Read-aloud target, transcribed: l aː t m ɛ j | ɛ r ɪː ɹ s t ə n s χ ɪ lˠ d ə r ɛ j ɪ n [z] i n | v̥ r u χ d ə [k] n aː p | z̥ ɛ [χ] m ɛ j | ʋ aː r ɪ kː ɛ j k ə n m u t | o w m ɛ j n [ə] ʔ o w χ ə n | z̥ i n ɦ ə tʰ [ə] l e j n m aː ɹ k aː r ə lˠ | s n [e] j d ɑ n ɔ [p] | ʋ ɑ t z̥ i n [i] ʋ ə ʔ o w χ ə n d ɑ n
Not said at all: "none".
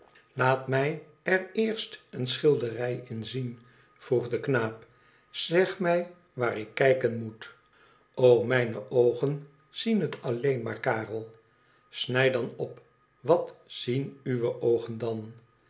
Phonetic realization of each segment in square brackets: z, k, χ, ə, ɑ, ɛ, p, y

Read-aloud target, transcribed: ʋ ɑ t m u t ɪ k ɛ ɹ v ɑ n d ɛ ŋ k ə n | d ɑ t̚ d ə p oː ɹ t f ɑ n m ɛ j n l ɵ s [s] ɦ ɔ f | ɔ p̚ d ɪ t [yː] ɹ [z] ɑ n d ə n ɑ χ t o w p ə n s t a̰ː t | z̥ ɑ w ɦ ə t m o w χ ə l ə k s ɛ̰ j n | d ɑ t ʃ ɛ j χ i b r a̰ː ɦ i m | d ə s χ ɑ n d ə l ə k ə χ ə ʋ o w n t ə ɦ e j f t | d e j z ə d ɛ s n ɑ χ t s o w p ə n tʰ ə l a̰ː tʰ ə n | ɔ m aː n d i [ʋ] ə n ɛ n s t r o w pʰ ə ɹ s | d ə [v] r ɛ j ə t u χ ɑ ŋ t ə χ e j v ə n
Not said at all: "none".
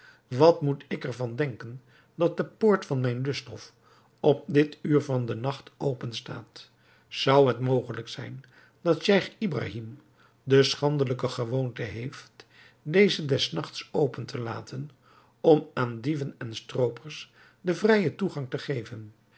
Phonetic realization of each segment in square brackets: t, yː, v, v, v

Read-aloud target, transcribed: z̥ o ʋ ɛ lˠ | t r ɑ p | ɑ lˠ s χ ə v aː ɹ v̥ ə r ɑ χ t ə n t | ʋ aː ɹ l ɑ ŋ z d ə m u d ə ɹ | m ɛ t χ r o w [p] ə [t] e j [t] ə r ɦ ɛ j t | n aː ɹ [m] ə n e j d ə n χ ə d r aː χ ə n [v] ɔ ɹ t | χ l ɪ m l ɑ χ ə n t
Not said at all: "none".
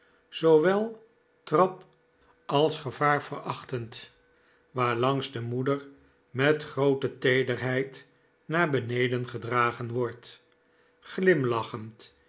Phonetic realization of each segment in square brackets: t, t, d, b, ʋ

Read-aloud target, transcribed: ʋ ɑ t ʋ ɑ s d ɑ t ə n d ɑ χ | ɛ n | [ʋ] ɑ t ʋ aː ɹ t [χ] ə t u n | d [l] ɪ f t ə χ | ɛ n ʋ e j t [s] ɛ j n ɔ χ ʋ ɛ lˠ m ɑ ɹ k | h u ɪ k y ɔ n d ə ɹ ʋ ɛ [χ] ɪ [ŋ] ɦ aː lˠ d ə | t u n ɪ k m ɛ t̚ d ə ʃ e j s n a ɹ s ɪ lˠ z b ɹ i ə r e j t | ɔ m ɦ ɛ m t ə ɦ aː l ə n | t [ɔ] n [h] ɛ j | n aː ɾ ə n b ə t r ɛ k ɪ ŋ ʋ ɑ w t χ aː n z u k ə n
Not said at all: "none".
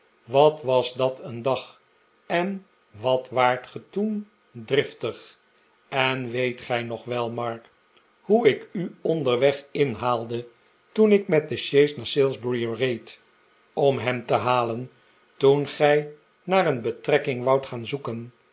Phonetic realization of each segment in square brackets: ʋ, χ, r, χ, χ, n, u, χ

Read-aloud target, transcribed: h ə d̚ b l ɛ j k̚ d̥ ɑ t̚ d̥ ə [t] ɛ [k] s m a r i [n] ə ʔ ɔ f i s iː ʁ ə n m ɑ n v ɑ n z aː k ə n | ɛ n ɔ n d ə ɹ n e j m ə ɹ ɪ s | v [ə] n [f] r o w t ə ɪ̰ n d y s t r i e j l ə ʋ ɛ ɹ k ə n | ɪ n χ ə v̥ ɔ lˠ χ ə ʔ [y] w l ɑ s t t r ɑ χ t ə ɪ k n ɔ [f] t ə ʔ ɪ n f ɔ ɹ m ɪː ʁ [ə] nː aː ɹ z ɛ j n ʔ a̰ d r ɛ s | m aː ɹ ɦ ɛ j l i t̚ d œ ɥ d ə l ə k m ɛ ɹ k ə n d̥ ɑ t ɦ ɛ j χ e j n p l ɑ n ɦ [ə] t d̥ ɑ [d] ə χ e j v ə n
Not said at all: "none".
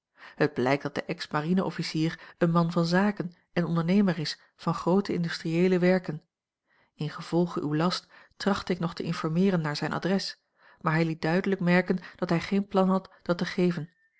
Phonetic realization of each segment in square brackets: ʔ, k, n, ɑ, χ, y, χ, ə, ɑ, t

